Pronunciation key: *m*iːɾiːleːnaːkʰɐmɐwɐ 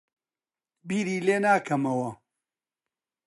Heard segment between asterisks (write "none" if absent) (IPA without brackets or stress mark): b